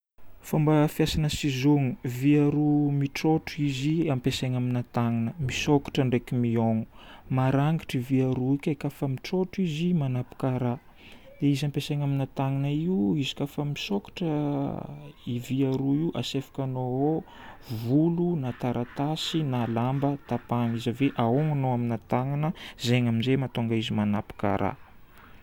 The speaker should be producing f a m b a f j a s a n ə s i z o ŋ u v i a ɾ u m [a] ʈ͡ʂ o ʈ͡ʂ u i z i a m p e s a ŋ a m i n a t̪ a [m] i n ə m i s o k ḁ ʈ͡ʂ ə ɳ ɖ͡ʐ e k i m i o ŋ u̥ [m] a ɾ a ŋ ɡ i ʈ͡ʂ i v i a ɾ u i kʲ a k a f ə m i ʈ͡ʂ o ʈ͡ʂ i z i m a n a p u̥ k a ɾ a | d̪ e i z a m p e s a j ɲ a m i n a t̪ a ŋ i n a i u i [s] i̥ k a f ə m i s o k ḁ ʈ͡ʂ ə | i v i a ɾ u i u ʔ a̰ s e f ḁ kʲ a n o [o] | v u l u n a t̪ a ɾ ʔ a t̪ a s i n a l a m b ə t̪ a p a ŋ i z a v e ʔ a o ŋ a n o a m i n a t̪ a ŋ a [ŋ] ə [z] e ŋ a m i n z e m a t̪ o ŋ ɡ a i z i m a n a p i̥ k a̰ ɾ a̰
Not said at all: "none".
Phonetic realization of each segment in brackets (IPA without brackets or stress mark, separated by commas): i, ŋ, m, z, o, n, z